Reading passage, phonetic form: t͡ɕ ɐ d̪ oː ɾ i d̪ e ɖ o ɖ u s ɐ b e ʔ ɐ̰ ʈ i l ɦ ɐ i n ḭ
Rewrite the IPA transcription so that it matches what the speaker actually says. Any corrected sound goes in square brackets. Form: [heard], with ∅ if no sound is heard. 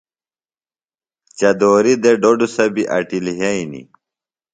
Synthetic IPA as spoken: t͡ɕ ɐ d̪ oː ɾ i d̪ e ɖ o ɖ u s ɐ b [i] ʔ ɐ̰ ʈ i l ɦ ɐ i n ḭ